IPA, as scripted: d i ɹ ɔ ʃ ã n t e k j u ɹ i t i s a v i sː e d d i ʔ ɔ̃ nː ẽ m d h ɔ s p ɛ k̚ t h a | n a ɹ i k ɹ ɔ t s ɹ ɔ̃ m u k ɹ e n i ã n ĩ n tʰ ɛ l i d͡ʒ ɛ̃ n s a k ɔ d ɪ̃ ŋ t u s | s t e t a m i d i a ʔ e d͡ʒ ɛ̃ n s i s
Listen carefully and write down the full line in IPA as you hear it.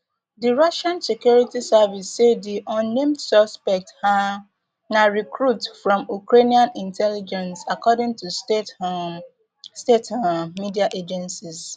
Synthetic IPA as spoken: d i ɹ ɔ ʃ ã n s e k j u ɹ i t i s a v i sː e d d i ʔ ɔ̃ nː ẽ m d s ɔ s p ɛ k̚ t h a | n a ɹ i k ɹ u t f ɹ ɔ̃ m u k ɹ e n i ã n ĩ n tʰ ɛ l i d͡ʒ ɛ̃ n s a k ɔ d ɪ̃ ŋ t u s | s t e t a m i d i a ʔ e d͡ʒ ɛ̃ n s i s